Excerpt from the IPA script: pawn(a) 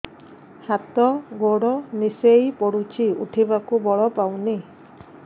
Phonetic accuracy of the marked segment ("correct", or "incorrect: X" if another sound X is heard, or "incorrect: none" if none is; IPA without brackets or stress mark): incorrect: i